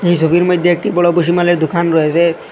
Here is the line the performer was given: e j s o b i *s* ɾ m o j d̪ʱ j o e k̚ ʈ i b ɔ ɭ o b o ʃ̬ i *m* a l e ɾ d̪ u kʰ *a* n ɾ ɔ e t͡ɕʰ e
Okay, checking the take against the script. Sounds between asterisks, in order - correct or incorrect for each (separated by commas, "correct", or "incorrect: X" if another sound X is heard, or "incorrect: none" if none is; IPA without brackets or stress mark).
incorrect: none, correct, correct